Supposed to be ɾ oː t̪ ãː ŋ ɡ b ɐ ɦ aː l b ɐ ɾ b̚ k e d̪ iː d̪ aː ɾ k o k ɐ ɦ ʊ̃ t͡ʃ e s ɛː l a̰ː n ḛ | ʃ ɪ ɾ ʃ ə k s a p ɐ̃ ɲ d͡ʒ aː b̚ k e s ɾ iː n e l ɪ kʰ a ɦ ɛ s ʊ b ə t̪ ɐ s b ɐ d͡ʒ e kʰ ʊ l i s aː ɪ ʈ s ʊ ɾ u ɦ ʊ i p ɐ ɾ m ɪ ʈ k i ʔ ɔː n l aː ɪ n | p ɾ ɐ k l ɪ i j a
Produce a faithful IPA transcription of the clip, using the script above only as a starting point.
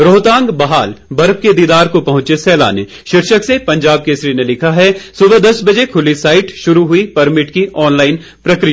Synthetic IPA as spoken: ɾ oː t̪ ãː ŋ ɡ b ɐ ɦ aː l b ɐ ɾ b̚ k e d̪ iː d̪ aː ɾ k o p ɐ ɦ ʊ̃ t͡ʃ e s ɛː l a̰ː n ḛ | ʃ ɪ ɾ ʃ ə k s e p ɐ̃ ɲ d͡ʒ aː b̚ k e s ɾ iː n e l ɪ kʰ a ɦ ɛ s ʊ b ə d̪ ɐ s b ɐ d͡ʒ e kʰ ʊ l i s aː ɪ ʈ ʃ ʊ ɾ u ɦ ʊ i p ɐ ɾ m ɪ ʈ k i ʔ ɔː n l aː ɪ n | p ɾ ɐ k ɾ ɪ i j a

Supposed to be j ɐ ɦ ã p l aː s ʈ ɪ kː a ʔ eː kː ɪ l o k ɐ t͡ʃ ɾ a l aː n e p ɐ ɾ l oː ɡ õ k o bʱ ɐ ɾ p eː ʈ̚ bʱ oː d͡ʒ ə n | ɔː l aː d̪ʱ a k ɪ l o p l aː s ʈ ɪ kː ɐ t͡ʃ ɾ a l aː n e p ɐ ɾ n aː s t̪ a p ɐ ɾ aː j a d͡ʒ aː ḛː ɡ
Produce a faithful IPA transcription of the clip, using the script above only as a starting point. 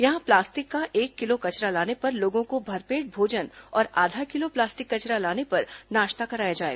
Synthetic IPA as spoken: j ɐ ɦ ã p l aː s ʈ ɪ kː a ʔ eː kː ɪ l o k ɐ t͡ʃ ɾ a l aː n e p ɐ ɾ l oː ɡ õ k o bʱ ɐ ɾ p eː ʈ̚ bʱ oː d͡ʒ ə n | ɔː ɾ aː d̪ʱ a k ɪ l o p l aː s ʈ ɪ kː ɐ t͡ʃ ɾ a l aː n e p ɐ ɾ n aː ʃ t̪ a k ɐ ɾ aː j a d͡ʒ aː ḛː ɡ

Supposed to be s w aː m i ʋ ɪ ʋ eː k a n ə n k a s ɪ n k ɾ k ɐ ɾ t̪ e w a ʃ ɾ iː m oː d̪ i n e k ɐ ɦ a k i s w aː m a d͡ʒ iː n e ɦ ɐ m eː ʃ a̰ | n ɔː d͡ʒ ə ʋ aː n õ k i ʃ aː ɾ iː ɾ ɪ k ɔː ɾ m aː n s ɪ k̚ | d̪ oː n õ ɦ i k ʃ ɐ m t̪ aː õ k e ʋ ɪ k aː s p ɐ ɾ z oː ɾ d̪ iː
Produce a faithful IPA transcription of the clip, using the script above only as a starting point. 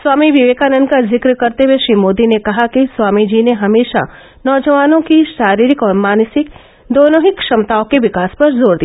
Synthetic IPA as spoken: s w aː m i ʋ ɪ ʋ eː k a n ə n k a z ɪ k ɾ k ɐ ɾ t̪ e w e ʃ ɾ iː m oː d̪ i n e k ɐ ɦ a k i s w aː m i d͡ʒ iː n e ɦ ɐ m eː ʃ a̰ | n ɔː d͡ʒ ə ʋ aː n õ k i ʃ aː ɾ iː ɾ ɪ k ɔː ɾ m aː n s ɪ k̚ | d̪ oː n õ ɦ i k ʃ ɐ m t̪ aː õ k e ʋ ɪ k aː s p ɐ ɾ z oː ɾ d̪ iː

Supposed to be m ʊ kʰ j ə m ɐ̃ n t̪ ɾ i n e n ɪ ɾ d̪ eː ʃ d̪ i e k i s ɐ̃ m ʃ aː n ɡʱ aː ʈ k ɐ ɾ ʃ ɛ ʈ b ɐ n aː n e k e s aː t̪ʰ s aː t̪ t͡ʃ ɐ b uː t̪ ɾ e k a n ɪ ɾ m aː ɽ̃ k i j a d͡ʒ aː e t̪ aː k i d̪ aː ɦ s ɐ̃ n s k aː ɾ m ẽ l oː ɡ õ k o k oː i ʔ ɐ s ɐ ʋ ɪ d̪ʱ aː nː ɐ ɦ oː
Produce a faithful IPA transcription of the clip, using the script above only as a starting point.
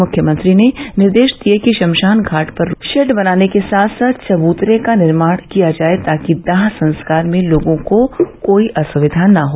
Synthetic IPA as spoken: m ʊ kʰ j ə m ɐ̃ n t̪ ɾ i n e n ɪ ɾ d̪ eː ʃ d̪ i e k i ʃ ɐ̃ m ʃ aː n ɡʱ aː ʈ p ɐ ɾ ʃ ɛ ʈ b ɐ n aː n e k e s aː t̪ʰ s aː t̪ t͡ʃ ɐ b uː t̪ ɾ e k a n ɪ ɾ m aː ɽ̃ k i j a d͡ʒ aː e t̪ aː k i d̪ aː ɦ s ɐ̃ n s k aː ɾ m ẽ l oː ɡ õ k o k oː i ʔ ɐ s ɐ ʋ ɪ d̪ʱ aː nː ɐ ɦ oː

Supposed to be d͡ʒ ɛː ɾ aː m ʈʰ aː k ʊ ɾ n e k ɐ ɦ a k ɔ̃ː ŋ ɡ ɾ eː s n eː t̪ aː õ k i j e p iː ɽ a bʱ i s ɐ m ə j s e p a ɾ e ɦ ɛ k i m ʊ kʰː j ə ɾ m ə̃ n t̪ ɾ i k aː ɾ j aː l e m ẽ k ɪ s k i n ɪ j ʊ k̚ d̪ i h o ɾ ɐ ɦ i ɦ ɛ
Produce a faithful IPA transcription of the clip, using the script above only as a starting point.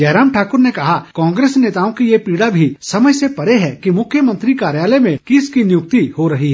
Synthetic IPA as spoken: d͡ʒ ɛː ɾ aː m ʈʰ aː k ʊ ɾ n e k ɐ ɦ a k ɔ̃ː ŋ ɡ ɾ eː s n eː t̪ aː õ k i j e p iː ɽ a bʱ i s ɐ m ə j s e p ɐ ɾ e ɦ ɛ k i m ʊ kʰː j ə m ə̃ n t̪ ɾ i k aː ɾ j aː l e m ẽ k ɪ s k i n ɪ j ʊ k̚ t̪ i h o ɾ ɐ ɦ i ɦ ɛ

